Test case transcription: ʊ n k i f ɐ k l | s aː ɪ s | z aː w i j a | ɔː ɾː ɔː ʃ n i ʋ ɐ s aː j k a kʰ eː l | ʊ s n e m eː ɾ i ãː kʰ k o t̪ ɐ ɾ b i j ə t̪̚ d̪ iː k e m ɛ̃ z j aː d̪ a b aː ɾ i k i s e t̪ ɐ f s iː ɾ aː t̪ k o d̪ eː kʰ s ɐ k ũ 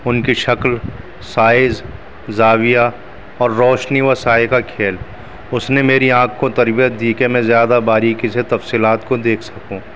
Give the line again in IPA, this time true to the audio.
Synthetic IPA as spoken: ʊ n k i ʃ ɐ k l | s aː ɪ z | z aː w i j a | ɔː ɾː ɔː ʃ n i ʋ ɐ s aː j k a kʰ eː l | ʊ s n e m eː ɾ i ãː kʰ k o t̪ ɐ ɾ b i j ə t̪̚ d̪ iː k e m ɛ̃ z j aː d̪ a b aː ɾ i k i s e t̪ ɐ f s iː l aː t̪ k o d̪ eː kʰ s ɐ k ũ